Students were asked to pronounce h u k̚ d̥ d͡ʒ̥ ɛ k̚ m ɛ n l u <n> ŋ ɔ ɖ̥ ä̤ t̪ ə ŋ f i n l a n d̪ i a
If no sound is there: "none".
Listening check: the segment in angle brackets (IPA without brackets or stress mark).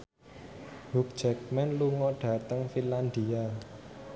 none